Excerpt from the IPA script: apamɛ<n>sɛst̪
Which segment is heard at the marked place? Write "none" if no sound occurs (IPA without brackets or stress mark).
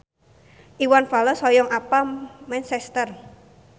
n